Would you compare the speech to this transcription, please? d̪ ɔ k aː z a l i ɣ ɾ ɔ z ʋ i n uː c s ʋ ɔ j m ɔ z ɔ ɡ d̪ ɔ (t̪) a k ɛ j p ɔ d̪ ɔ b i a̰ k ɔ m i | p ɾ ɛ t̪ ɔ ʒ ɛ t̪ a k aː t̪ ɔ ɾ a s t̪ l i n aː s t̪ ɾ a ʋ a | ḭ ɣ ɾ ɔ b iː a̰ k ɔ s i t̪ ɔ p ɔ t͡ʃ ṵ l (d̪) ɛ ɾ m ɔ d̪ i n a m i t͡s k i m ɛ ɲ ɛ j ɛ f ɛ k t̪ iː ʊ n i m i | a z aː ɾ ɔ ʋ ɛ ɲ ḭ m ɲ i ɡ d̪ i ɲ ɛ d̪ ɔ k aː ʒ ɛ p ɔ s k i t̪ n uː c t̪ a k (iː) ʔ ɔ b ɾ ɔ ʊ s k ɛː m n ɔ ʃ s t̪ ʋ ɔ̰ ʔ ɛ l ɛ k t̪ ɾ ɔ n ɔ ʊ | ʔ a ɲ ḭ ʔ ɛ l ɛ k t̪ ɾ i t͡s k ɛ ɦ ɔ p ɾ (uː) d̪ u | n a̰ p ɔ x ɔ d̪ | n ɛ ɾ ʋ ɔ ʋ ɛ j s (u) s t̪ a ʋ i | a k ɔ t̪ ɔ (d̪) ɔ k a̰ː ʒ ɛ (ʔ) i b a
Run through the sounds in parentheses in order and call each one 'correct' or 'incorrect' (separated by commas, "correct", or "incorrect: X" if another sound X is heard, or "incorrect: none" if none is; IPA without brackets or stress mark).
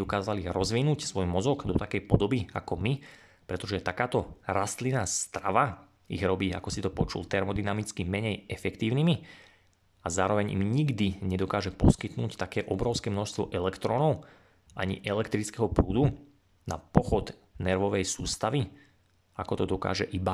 correct, incorrect: t̪, incorrect: ɛː, correct, incorrect: uː, correct, correct